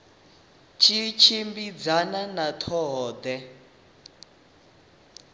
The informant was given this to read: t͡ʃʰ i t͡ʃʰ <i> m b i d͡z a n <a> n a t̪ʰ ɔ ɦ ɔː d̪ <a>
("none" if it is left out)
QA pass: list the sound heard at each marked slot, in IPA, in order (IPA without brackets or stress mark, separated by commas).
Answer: i, a, ɛ